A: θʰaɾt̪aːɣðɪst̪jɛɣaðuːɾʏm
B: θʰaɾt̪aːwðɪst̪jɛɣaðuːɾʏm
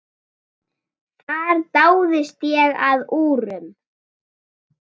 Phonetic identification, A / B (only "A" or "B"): B